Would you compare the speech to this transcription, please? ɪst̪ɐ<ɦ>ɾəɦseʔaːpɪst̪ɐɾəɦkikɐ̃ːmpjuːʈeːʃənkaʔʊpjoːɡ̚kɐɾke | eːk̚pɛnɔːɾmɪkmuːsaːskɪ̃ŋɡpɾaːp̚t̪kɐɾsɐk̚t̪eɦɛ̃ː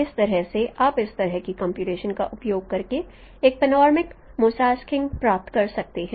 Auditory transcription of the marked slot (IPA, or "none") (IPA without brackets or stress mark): none